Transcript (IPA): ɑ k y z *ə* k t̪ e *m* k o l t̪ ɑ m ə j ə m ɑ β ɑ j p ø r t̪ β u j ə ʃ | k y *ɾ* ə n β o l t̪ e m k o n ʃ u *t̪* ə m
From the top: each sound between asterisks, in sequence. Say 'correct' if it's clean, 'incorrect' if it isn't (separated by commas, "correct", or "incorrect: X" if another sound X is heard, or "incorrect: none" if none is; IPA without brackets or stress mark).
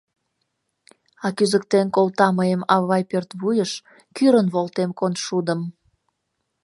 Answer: correct, incorrect: n, correct, incorrect: d̪